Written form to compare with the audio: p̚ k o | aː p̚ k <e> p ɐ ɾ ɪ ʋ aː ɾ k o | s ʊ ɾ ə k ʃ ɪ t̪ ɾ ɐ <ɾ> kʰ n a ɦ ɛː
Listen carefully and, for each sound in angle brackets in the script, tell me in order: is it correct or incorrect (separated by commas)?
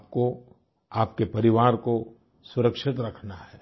correct, incorrect